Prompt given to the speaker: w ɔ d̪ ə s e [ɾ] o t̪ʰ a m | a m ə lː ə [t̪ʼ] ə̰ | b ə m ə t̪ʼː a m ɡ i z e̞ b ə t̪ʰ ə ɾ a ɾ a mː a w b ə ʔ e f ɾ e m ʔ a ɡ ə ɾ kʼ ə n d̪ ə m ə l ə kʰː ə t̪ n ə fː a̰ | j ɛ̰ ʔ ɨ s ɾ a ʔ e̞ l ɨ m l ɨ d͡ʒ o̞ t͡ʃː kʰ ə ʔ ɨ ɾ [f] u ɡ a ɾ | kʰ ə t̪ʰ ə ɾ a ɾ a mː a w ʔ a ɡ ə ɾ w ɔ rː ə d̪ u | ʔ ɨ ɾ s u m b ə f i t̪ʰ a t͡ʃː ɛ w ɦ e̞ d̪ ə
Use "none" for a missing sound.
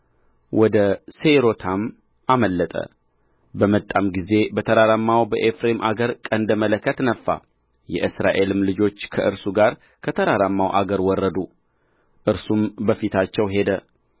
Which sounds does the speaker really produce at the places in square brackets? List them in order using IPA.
ɾ, t̪ʼ, s

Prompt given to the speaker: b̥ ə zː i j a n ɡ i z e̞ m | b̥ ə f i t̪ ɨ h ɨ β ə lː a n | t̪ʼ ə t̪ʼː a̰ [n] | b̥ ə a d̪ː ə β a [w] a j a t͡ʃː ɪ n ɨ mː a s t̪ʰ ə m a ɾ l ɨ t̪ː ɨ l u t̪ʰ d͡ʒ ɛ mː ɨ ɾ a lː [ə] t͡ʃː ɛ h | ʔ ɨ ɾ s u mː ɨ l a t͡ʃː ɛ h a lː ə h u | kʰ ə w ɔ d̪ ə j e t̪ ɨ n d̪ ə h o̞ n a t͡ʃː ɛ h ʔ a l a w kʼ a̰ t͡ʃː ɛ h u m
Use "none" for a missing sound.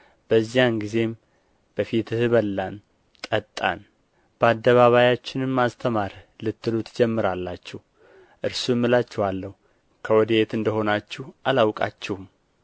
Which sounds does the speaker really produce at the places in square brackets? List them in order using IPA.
n, β, a

